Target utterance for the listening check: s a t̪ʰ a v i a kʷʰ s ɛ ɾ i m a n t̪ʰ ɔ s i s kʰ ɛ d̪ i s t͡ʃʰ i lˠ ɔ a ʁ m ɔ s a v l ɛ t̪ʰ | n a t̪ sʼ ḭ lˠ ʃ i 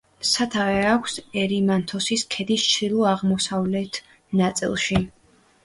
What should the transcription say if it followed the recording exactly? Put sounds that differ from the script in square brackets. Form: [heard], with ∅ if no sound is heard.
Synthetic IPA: s a t̪ʰ a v [ɛ] a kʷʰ s ɛ ɾ i m a n t̪ʰ ɔ s i s kʰ ɛ d̪ i s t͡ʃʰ i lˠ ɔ a ʁ m ɔ s a v l ɛ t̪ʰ | n a t̪ sʼ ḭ lˠ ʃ i